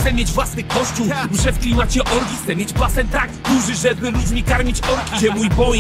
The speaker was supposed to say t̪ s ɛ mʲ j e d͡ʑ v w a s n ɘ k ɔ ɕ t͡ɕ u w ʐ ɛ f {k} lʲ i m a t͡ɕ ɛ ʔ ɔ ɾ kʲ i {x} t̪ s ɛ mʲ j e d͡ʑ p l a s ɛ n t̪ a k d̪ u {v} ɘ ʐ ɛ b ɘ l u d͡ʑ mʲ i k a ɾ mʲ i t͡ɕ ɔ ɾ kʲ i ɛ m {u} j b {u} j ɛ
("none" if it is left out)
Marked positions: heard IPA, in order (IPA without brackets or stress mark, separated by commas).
k, x, ʐ, u, ɔ